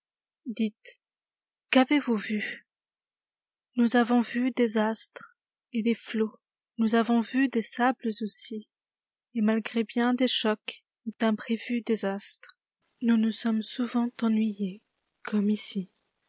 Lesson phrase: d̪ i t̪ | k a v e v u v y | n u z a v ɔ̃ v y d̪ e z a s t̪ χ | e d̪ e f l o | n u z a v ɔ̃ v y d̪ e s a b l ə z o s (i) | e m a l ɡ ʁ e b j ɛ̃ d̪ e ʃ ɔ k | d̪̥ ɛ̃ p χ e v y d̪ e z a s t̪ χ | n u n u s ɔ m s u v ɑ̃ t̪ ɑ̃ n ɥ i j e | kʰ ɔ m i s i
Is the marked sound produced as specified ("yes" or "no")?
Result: yes